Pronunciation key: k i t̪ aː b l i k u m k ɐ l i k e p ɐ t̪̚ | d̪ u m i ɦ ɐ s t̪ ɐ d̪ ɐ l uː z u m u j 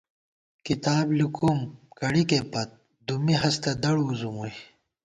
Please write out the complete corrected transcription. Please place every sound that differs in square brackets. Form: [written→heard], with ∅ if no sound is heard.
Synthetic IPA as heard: k i t̪ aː b l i k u m k ɐ [l→ɽ] i k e p ɐ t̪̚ | d̪ u m i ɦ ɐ s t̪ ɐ d̪ ɐ [l→ɽ] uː z u m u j